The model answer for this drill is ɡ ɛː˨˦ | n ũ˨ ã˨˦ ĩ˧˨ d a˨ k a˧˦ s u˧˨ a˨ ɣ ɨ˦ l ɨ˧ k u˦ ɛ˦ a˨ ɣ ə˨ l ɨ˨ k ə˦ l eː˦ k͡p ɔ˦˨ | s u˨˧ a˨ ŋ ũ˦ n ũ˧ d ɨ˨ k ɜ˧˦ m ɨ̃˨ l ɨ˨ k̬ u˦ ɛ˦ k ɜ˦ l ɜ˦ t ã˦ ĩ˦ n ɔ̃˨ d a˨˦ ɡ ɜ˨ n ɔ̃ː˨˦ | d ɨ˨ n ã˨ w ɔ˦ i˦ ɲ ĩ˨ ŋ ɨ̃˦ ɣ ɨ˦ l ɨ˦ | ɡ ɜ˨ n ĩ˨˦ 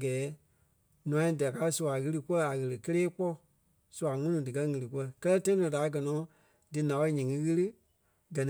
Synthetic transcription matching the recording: ɡ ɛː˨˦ | n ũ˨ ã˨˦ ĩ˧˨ d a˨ k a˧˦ s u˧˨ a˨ ɣ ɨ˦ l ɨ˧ k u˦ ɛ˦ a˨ ɣ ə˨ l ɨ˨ k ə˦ l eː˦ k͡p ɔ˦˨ | s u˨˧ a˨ ŋ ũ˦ n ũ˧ d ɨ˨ k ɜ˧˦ ŋ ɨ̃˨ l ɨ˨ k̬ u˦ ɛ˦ k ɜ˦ l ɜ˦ t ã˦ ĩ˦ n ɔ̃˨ d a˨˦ ɡ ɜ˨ n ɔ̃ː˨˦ | d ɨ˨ n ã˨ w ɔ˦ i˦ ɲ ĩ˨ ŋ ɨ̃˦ ɣ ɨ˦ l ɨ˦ | ɡ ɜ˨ n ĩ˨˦